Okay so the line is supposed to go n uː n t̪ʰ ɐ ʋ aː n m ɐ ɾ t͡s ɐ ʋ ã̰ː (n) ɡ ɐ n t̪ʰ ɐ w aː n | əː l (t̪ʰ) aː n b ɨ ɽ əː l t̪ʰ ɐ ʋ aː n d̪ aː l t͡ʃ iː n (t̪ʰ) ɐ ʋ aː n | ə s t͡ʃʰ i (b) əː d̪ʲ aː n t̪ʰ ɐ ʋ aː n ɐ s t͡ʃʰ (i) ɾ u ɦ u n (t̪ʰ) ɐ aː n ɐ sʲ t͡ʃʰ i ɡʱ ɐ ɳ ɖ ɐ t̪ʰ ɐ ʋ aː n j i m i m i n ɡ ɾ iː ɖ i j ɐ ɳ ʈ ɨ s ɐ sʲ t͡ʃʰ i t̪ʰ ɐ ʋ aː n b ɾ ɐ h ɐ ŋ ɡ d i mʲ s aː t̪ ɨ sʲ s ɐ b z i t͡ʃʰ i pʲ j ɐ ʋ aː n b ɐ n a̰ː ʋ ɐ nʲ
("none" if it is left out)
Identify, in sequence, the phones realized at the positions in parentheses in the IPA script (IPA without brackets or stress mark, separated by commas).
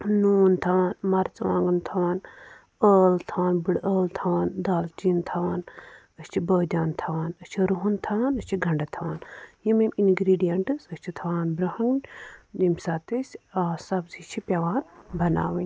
ŋ, t̪ʰ, t̪ʰ, b, i, t̪ʰ